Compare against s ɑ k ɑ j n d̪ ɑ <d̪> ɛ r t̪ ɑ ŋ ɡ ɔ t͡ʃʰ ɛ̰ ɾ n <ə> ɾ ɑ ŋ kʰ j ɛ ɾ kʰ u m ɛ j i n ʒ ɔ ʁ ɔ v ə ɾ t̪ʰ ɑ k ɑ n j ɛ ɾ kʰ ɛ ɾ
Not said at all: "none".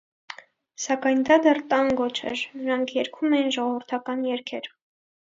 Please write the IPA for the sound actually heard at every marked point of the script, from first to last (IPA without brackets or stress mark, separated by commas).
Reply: d̪, ə